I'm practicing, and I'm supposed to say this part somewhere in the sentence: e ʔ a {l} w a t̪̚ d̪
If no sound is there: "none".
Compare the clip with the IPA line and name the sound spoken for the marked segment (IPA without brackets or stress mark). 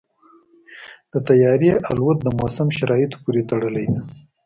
l